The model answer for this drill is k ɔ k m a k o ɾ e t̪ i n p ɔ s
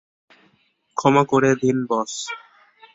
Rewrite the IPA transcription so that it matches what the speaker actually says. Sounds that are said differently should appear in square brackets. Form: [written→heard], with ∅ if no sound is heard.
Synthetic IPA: [k→kʰ] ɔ [k→∅] m a k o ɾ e [t̪→d̪] i n [p→b] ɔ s